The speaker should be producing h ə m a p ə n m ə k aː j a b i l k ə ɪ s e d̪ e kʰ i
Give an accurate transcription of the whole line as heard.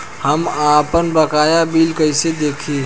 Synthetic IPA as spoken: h ə m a p ə n b ə k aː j a b i l k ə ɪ s e d̪ e kʰ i